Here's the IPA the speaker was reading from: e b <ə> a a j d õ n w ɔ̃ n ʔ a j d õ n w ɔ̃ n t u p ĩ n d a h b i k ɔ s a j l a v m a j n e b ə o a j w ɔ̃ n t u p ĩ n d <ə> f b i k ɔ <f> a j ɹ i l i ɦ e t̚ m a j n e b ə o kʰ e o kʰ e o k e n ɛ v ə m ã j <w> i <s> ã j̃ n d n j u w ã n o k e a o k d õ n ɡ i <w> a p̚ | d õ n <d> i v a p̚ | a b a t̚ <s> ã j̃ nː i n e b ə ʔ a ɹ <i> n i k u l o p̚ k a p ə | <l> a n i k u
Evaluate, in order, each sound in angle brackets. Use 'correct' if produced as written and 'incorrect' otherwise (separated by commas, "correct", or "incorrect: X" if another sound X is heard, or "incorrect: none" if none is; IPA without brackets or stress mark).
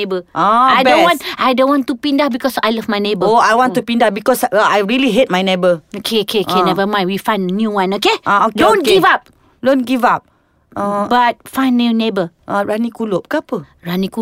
correct, incorrect: a, incorrect: s, correct, incorrect: f, incorrect: v, incorrect: ɡ, incorrect: f, incorrect: a, incorrect: ɹ